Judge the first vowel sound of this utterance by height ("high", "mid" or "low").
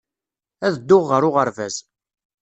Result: low